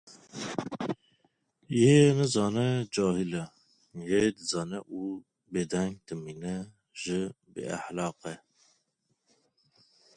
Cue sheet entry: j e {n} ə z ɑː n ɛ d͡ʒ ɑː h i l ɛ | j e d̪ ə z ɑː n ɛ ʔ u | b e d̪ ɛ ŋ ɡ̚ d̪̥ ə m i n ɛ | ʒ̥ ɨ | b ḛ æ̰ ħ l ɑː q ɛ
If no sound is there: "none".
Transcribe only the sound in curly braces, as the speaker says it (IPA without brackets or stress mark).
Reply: n